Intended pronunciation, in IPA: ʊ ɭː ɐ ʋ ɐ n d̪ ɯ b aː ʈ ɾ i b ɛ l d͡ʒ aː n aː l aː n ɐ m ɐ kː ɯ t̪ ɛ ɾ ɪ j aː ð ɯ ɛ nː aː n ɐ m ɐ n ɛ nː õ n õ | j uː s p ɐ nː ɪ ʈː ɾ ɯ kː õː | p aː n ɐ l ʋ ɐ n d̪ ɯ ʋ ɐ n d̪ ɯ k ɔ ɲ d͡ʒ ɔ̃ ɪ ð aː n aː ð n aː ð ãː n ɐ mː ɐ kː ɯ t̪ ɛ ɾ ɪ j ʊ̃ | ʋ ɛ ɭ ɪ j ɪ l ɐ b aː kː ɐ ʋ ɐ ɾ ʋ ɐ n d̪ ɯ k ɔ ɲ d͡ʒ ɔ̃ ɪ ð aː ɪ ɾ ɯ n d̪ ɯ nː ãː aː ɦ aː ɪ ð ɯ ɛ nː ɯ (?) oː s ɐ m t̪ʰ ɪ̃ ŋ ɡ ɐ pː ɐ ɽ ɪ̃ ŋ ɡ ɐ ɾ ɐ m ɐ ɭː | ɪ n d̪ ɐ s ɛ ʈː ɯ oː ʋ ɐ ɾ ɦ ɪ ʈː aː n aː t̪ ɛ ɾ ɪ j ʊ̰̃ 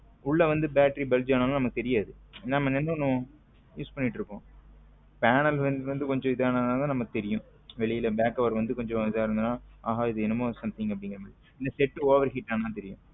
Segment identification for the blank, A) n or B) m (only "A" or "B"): B